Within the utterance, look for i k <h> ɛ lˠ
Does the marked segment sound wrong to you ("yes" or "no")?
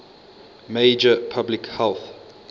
no